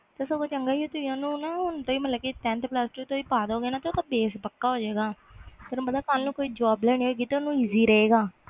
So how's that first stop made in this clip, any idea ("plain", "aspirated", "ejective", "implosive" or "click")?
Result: plain